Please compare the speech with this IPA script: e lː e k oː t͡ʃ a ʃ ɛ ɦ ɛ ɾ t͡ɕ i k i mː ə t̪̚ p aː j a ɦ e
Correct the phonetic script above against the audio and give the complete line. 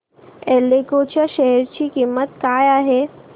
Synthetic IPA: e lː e k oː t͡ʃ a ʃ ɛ ɦ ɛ ɾ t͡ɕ i k i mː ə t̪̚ k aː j a ɦ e

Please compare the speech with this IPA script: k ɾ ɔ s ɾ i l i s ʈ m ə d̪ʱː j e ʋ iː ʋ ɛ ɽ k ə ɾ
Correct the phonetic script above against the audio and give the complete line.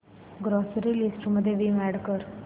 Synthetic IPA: ɡ ɾ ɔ s ɾ i l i s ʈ m ə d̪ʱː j e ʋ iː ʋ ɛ ɽ k ə ɾ

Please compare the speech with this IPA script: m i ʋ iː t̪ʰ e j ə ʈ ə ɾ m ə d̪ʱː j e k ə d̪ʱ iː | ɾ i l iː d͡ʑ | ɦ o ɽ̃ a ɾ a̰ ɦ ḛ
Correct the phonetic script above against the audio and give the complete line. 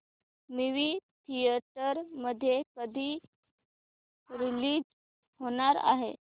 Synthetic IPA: m i ʋ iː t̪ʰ i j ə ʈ ə ɾ m ə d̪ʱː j e k ə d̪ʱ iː | ɾ i l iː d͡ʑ | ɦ o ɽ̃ a ɾ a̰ ɦ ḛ

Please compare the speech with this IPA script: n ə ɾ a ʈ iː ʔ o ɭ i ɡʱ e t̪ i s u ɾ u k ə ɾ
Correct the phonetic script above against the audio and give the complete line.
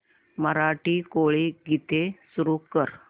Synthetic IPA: m ə ɾ a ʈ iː k o ɭ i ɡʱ i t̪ e s u ɾ u k ə ɾ

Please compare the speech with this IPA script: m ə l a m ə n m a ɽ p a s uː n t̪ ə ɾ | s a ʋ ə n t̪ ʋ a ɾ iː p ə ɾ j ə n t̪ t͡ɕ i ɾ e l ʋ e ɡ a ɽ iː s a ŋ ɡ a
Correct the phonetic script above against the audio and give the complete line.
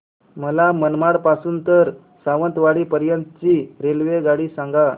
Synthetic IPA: m ə l a m ə n m a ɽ p a s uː n t̪ ə ɾ | s a ʋ ə n t̪ ʋ a ɽ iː p ə ɾ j ə n t̪ t͡ɕ i ɾ e l ʋ e ɡ a ɽ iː s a ŋ ɡ a

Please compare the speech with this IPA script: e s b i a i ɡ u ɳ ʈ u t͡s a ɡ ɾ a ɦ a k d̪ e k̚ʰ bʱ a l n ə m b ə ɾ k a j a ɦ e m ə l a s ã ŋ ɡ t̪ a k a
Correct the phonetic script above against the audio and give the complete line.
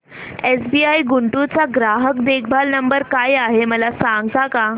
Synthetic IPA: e s b i a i ɡ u ɳ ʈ u t͡s a ɡ ɾ a ɦ ə k d̪ e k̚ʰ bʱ a l n ə m b ə ɾ k a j a ɦ e m ə l a s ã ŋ ɡ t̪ a k a

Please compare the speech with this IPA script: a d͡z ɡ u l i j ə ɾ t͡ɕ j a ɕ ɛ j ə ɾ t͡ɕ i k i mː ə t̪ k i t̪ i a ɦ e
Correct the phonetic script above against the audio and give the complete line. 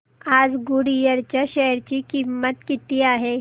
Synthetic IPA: a d͡z ɡ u ɽ i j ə ɾ t͡ɕ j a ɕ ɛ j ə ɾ t͡ɕ i k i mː ə t̪ k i t̪ i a ɦ e

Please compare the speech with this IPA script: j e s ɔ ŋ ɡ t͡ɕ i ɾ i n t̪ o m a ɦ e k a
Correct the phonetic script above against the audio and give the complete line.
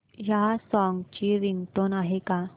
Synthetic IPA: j a s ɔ ŋ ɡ t͡ɕ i ɾ i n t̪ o n a ɦ e k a

